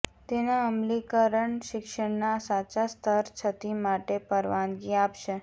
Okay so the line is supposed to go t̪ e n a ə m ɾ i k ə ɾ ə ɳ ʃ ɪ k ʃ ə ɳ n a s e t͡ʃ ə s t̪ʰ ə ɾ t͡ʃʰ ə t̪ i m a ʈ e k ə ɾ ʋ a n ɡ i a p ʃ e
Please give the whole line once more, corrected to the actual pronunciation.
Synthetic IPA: t̪ e n a ə m l i k ə ɾ ə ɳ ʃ ɪ k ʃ ə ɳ n a s a t͡ʃ a s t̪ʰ ə ɾ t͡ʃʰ ə t̪ i m a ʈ e p ə ɾ ʋ a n ɡ i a p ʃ e

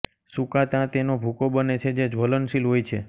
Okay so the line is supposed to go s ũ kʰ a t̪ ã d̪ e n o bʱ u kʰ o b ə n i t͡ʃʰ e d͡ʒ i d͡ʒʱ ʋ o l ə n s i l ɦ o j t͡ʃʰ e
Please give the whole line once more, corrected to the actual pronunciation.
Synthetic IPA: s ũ k a t̪ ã t̪ e n o bʱ u k o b ə n e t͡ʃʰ e d͡ʒ e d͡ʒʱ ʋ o l ə n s i l ɦ o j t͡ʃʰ e

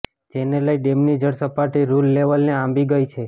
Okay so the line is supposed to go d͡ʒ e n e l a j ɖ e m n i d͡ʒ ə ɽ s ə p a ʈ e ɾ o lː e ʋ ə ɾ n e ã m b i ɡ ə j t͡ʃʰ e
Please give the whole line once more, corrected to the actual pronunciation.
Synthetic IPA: d͡ʒ e n e l ə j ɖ e m n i d͡ʒ ə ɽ s ə p a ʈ i ɾ u lː e ʋ ə l n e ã m b i ɡ ə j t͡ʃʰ e

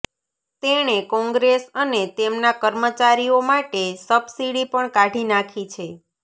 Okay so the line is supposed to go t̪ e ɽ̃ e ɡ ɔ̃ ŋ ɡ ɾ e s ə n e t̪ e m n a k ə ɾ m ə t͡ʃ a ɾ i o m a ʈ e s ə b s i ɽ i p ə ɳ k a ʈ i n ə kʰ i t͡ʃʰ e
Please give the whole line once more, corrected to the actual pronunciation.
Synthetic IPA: t̪ e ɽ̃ e k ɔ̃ ŋ ɡ ɾ e s ə n e t̪ e m n a k ə ɾ m ə t͡ʃ a ɾ i o m a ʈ e s ə b s i ɽ i p ə ɳ k a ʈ i n a kʰ i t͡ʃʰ e

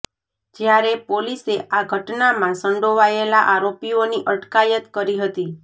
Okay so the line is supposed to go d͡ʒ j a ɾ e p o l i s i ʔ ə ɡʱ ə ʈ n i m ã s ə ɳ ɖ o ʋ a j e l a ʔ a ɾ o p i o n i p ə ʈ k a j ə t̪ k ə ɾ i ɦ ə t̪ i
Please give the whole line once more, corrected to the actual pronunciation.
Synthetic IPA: d͡ʒ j a ɾ e p o l i s e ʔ a ɡʱ ə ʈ n a m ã s ə ɳ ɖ o ʋ a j e l a ʔ a ɾ o p i o n i ʔ ə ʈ k a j ə t̪ k ə ɾ i ɦ ə t̪ i

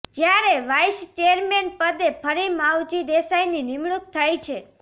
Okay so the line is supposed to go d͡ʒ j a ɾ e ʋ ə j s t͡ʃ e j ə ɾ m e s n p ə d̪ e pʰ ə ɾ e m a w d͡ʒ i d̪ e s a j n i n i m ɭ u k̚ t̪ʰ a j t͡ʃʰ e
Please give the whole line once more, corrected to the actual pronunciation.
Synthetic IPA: d͡ʒ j a ɾ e ʋ a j s t͡ʃ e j ə ɾ m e n p ə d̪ e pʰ ə ɾ i m a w d͡ʒ i d̪ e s a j n i n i m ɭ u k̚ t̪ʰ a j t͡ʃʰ e

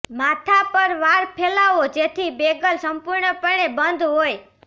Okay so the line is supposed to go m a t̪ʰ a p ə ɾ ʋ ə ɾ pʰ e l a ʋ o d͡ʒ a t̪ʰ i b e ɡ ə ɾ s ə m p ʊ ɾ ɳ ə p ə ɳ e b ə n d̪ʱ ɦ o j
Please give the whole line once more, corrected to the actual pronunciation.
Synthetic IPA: m a t̪ʰ a p ə ɾ ʋ a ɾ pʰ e l a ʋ o d͡ʒ e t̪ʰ i b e ɡ ə l s ə m p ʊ ɾ ɳ ə p ə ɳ e b ə n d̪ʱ ɦ o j

